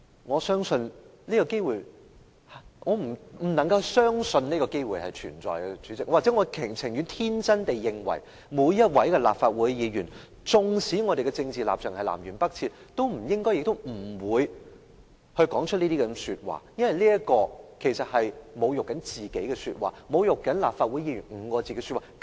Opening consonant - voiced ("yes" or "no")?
yes